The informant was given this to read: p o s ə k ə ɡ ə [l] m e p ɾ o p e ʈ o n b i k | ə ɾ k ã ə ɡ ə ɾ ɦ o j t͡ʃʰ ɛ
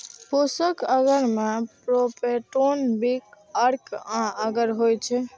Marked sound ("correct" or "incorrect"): incorrect